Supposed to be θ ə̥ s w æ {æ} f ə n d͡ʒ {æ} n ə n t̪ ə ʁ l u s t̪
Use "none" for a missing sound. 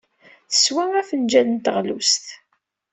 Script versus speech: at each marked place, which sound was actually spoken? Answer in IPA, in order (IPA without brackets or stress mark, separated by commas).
æ, æ